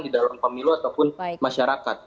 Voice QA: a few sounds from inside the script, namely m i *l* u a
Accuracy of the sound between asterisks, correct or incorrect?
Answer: correct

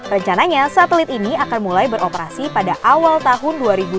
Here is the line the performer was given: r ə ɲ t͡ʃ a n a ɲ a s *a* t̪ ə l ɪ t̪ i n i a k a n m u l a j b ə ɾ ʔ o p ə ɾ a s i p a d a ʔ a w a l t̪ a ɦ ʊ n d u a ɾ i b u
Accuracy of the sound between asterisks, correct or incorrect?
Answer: correct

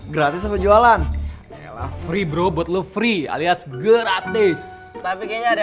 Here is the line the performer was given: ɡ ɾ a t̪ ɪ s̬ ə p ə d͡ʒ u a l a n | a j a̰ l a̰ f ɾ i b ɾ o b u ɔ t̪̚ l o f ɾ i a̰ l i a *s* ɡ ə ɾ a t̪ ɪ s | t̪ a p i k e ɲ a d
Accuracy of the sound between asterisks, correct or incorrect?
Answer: correct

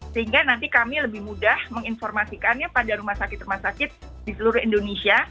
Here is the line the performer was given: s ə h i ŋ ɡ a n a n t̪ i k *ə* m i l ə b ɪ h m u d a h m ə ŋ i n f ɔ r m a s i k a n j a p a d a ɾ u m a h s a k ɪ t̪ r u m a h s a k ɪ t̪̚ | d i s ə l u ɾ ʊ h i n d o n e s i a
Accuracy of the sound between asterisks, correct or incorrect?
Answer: incorrect: a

